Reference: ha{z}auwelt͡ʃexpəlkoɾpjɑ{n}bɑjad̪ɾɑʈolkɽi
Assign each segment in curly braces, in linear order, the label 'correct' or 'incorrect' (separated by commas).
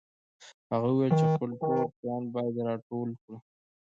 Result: incorrect, correct